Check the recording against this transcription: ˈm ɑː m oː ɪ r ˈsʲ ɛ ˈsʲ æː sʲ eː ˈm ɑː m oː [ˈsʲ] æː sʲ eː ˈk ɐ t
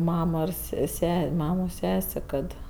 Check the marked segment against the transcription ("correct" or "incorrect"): correct